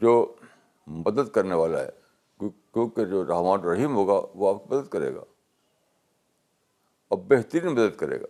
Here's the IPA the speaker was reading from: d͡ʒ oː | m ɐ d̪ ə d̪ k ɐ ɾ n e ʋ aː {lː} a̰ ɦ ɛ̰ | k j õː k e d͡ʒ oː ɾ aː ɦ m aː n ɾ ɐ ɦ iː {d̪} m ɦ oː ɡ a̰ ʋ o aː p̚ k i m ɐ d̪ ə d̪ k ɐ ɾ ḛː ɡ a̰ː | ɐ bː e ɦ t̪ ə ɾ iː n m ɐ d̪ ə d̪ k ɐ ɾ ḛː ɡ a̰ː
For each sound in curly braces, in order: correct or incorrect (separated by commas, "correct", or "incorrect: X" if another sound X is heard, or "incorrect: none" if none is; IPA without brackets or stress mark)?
incorrect: l, incorrect: none